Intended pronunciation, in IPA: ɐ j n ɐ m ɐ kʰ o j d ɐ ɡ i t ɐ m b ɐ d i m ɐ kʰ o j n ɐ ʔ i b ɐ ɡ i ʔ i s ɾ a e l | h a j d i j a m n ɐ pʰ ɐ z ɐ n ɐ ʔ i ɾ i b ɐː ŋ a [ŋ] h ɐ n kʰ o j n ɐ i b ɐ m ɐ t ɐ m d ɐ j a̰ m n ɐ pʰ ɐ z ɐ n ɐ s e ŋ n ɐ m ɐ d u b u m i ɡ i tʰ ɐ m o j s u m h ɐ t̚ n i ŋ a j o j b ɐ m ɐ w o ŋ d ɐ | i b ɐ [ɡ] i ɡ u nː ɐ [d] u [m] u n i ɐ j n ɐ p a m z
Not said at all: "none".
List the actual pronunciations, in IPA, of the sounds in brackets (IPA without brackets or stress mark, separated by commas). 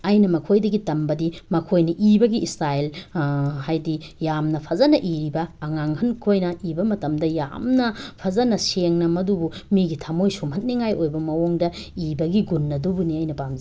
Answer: ŋ, ɡ, d, b